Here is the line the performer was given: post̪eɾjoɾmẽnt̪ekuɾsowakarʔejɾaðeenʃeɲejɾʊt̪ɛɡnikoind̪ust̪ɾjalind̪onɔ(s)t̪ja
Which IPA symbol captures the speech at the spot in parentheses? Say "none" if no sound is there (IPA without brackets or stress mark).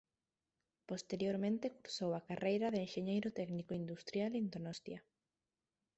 s